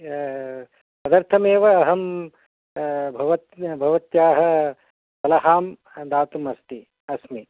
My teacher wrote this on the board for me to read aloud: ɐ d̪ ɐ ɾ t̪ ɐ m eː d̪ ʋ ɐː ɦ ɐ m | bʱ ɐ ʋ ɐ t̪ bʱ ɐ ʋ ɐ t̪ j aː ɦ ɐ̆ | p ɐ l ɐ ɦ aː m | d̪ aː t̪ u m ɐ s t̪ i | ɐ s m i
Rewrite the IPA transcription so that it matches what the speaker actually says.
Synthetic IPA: ɐ d̪ ɐ ɾ t̪ʰ ɐ m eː ʋ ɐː ɦ ɐ m | bʱ ɐ ʋ ɐ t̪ bʱ ɐ ʋ ɐ t̪ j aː ɦ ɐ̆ | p ɐ l ɐ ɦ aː m | d̪ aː t̪ u m ɐ s t̪ i | ɐ s m i